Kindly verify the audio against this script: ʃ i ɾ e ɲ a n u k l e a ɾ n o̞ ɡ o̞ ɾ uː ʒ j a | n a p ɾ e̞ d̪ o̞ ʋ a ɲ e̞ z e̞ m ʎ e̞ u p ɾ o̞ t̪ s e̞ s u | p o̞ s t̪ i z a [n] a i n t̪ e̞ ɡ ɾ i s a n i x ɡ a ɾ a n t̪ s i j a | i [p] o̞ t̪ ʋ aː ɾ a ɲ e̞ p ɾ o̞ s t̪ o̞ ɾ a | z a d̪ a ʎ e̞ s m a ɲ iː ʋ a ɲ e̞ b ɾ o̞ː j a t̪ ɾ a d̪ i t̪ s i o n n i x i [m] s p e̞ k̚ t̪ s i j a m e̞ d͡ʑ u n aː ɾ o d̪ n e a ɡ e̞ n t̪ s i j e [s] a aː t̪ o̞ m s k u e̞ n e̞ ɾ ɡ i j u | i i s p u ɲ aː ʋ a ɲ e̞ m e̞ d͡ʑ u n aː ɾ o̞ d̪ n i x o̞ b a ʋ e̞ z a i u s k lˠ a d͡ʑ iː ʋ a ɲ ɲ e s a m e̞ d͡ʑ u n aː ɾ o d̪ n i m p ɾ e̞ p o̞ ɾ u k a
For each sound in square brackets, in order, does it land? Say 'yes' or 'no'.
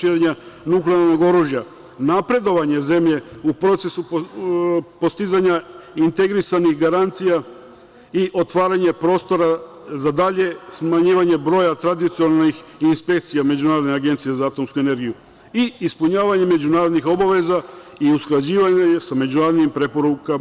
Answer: no, no, no, no

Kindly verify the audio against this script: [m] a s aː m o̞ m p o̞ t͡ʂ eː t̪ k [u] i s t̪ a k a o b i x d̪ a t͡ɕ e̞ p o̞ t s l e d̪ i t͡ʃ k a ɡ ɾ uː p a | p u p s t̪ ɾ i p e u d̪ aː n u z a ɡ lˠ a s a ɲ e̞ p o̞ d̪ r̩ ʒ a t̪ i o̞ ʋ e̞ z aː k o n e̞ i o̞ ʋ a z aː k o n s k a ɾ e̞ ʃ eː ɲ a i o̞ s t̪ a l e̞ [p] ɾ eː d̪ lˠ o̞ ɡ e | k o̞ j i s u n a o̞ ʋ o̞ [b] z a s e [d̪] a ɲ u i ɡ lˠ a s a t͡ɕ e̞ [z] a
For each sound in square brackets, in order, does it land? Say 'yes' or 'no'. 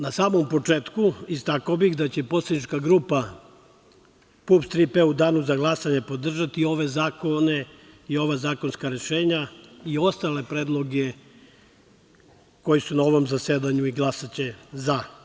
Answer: no, yes, yes, no, yes, yes

